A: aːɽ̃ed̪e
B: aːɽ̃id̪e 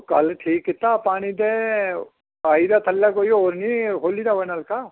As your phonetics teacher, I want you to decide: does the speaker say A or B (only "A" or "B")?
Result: B